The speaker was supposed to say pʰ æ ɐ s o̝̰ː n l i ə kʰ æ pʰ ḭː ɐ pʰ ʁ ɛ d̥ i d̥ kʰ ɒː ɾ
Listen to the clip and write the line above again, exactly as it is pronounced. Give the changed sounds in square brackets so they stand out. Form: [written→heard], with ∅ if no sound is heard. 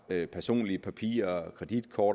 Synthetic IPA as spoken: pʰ æ ɐ s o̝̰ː n l i ə [kʰ→pʰ] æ pʰ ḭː ɐ [pʰ→kʰ] ʁ ɛ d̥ i d̥ kʰ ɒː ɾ

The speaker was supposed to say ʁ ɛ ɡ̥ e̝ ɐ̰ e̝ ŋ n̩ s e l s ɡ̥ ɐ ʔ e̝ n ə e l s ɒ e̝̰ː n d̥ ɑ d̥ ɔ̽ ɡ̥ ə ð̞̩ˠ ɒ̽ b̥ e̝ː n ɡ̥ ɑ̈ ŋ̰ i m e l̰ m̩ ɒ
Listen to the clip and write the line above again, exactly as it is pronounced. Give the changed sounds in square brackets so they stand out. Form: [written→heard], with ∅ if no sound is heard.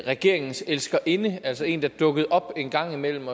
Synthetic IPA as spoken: ʁ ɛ ɡ̥ e̝ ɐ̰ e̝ ŋ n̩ s e l s ɡ̥ ɐ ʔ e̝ n ə [e→æ] l s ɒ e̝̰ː n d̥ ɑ d̥ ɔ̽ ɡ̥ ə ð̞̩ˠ ɒ̽ b̥ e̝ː n ɡ̥ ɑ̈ ŋ̰ i m e l̰ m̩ ɒ

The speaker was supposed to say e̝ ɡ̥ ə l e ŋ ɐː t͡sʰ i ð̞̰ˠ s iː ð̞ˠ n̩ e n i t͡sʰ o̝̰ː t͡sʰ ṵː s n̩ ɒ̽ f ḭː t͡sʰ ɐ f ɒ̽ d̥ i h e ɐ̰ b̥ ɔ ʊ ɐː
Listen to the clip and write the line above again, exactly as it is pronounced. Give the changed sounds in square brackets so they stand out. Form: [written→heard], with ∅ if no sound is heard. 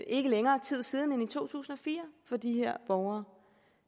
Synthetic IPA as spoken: e̝ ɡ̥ ə l e ŋ ɐː t͡sʰ i ð̞̰ˠ s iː ð̞ˠ n̩ e n i t͡sʰ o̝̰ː t͡sʰ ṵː s n̩ ɒ̽ f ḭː [t͡sʰ→∅] ɐ f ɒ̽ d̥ i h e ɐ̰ b̥ [ɔ→ɒ] ʊ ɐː

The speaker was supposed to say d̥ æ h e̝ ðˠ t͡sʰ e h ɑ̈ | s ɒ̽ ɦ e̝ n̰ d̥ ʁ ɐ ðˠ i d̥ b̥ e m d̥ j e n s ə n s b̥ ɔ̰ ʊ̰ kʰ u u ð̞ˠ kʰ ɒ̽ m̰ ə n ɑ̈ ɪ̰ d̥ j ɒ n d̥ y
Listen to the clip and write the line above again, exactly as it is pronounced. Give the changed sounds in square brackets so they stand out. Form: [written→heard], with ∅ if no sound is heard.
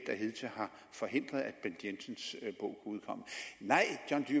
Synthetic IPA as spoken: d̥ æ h e̝ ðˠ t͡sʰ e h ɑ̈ | [s→f] ɒ̽ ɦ e̝ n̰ d̥ ʁ ɐ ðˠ [i→æ] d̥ b̥ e [m→n] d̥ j e n s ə n s b̥ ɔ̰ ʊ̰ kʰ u u ð̞ˠ kʰ ɒ̽ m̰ ə n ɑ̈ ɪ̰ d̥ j ɒ n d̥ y

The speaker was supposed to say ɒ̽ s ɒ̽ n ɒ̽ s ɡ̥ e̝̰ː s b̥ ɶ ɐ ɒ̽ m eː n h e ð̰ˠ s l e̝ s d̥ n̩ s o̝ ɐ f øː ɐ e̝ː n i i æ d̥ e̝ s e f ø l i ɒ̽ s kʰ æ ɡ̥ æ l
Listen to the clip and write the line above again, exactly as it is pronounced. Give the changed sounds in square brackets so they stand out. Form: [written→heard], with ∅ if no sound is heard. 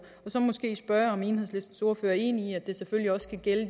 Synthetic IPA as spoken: ɒ̽ s ɒ̽ [n→m] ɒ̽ s ɡ̥ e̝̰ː s b̥ ɶ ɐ ɒ̽ m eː n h e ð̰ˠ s l e̝ s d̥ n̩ s o̝ ɐ f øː ɐ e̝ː n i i æ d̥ e̝ s e f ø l i ɒ̽ s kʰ æ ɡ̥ [æ→e] l

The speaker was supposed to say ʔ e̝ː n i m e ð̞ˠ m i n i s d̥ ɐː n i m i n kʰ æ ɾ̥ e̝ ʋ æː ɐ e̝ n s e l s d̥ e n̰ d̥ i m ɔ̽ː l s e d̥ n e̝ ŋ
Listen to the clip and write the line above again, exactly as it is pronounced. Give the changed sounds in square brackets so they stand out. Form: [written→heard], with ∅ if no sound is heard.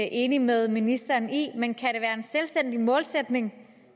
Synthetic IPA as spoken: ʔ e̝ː n i m e ð̞ˠ m i n i s d̥ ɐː n i m [i→e] n kʰ æ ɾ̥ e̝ ʋ æː ɐ e̝ n s e l s d̥ e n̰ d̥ i m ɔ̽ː l s e d̥ n e̝ ŋ

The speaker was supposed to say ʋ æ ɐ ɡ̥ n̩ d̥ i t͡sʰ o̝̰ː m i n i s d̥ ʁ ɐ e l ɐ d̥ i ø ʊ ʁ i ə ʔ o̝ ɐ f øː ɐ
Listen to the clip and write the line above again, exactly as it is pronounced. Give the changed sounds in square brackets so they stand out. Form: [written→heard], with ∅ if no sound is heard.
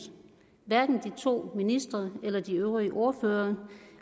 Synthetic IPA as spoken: ʋ æ ɐ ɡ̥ n̩ d̥ i t͡sʰ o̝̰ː m i n i s d̥ ʁ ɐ e l ɐ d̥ i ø ʊ ʁ i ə ʔ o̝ ɐ f øː ɐ

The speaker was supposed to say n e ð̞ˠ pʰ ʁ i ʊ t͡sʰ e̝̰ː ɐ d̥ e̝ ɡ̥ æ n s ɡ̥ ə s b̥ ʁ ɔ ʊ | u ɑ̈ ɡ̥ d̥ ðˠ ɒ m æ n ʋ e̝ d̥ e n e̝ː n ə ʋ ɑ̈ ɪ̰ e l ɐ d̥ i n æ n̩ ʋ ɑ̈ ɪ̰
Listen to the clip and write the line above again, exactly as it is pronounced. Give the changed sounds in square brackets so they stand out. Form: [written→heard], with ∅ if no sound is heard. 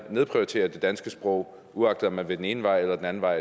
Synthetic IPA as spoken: n e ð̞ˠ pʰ ʁ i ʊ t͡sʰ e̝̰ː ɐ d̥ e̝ [ɡ̥→d̥] æ n s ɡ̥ ə s b̥ ʁ ɔ ʊ | u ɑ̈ ɡ̥ d̥ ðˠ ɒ m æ n ʋ e̝ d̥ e n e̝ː n ə ʋ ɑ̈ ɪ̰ e l ɐ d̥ [i→e] n æ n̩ ʋ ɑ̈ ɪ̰

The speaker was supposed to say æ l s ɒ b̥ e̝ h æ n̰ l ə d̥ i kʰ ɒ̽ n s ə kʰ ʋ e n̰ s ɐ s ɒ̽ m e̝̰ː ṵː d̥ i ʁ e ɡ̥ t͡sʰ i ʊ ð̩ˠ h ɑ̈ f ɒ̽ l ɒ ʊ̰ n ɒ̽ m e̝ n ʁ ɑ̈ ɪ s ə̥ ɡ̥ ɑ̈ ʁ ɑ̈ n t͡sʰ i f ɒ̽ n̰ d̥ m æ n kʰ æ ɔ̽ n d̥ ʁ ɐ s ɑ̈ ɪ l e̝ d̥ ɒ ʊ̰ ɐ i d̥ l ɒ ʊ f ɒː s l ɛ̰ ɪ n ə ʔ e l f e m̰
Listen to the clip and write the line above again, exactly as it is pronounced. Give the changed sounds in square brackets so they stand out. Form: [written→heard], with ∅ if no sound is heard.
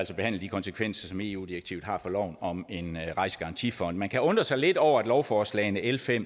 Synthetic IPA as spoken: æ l s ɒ b̥ e̝ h æ n̰ l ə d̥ i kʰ ɒ̽ n s ə kʰ ʋ e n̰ s ɐ s ɒ̽ m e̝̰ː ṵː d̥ i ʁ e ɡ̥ t͡sʰ i ʊ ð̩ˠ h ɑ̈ f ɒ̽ l ɒ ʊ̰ n ɒ̽ m e̝ n ʁ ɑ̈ ɪ s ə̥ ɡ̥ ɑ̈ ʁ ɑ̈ n t͡sʰ i f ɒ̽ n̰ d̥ m æ n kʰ æ ɔ̽ n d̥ ʁ ɐ s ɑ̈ ɪ l e̝ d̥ ɒ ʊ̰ ɐ [i→æ] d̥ l ɒ ʊ f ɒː s l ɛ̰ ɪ n ə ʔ e l f e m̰

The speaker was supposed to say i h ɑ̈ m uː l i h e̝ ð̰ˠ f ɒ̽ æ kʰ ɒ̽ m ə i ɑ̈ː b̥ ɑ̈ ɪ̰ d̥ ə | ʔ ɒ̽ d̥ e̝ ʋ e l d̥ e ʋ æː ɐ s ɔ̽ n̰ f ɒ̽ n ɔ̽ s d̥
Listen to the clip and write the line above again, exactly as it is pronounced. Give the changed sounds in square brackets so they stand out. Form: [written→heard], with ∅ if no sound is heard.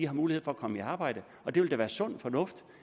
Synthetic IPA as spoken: i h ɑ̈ m uː l i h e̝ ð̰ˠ f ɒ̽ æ kʰ ɒ̽ m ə i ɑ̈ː b̥ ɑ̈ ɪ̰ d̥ ə | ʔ ɒ̽ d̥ e̝ ʋ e l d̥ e ʋ æː ɐ s ɔ̽ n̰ f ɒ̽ n ɔ̽ [s→f] d̥

